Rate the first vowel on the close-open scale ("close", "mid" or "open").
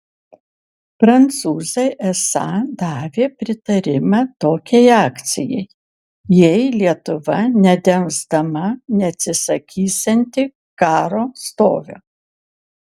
open